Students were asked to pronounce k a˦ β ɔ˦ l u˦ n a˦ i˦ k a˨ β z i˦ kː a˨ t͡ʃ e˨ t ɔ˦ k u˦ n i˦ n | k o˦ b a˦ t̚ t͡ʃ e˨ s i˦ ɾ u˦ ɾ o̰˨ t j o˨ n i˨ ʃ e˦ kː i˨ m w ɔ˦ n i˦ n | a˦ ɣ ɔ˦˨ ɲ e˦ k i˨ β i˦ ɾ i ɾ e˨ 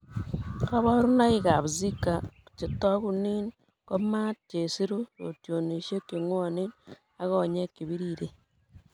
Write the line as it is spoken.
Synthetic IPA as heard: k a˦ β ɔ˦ ɾ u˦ n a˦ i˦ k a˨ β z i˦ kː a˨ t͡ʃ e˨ t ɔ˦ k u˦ n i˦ n | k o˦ m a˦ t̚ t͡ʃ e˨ s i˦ ɾ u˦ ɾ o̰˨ t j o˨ n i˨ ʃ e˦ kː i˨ ŋ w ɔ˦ n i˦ n | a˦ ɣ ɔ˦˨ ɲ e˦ k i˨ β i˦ ɾ i ɾ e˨

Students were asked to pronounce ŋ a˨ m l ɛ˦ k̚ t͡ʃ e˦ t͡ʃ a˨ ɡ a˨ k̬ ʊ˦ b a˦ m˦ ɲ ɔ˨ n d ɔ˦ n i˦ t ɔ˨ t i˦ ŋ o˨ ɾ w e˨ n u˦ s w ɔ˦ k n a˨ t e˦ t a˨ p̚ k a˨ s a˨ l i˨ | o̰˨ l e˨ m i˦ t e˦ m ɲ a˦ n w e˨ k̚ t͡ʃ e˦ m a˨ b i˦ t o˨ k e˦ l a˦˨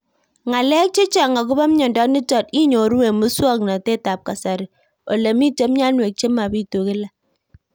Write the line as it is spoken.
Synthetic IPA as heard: ŋ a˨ l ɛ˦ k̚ t͡ʃ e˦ t͡ʃ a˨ ŋ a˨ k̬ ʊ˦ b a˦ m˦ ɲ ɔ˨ n d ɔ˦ n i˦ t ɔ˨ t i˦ ɲ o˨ ɾ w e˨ m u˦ s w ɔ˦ k n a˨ t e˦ t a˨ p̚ k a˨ s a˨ ɾ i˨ | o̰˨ l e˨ m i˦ t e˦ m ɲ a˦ n w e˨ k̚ t͡ʃ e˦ m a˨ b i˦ t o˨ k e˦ l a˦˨

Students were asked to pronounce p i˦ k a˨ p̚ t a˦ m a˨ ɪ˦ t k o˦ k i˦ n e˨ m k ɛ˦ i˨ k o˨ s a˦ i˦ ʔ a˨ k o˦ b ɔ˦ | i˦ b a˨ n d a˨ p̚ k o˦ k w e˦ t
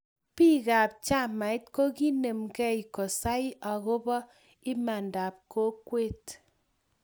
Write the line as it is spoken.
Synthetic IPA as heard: p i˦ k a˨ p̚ t͡ʃ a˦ m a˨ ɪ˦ t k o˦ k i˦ n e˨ m k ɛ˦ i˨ k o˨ s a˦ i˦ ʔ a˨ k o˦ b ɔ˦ | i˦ m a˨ n d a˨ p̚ k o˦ k w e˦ t

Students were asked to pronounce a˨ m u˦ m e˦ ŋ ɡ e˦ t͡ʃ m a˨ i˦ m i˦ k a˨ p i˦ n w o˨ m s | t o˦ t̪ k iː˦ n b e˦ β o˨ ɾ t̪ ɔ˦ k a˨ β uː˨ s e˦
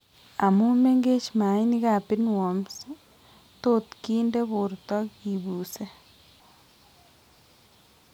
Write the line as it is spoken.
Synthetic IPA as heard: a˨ m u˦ m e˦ ŋ ɡ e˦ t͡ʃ m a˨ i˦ n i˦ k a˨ p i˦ n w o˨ m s | t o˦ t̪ k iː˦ n d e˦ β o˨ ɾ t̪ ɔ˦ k i˨ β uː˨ s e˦

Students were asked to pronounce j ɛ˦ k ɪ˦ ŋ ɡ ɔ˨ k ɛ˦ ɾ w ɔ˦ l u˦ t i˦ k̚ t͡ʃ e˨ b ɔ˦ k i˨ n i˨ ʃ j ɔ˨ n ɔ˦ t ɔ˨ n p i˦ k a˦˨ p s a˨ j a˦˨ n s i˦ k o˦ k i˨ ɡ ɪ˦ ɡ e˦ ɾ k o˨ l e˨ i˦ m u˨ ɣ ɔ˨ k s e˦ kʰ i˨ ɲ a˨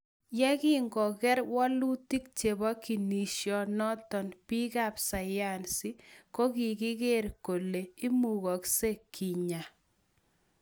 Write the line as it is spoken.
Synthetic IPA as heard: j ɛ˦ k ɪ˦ ŋ ɡ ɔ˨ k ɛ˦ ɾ w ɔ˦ l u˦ t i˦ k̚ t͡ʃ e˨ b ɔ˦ k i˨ n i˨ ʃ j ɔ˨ n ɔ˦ t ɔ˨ n p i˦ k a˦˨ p s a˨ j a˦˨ n s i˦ k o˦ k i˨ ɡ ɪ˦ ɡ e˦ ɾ k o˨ l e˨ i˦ m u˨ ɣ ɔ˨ k s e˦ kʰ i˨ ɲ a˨

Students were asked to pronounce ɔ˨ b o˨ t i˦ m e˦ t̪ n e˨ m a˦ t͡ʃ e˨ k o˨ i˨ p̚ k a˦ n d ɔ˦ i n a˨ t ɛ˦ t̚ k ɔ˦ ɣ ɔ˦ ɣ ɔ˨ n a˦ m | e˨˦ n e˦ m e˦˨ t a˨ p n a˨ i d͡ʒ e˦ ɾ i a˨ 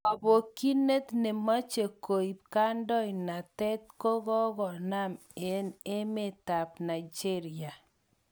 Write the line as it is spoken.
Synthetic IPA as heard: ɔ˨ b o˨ k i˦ n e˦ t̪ n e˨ m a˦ t͡ʃ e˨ k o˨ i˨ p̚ k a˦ n d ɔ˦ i n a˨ t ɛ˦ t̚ k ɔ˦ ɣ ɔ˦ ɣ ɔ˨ n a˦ m | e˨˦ n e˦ m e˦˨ t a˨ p n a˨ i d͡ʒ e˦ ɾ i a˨

